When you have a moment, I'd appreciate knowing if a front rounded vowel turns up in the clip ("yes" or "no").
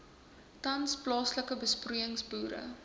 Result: no